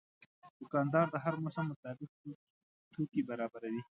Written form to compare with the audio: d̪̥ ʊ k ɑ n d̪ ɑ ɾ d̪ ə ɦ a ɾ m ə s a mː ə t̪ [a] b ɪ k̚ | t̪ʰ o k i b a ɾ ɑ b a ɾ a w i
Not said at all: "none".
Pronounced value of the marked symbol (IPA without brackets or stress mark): ɑ